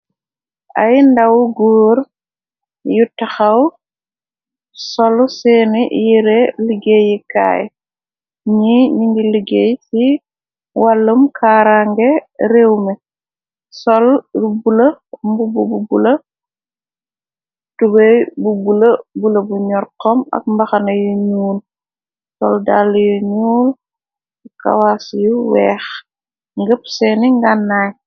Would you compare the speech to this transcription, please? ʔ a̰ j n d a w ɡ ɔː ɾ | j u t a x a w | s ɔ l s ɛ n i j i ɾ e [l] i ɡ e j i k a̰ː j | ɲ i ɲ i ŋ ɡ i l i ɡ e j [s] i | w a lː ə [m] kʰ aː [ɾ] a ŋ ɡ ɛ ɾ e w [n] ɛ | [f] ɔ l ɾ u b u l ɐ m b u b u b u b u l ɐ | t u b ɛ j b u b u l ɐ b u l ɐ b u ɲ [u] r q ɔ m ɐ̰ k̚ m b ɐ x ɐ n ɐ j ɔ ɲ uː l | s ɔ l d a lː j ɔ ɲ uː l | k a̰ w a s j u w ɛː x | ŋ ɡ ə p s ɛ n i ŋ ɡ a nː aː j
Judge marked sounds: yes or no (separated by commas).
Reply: yes, yes, yes, yes, no, no, no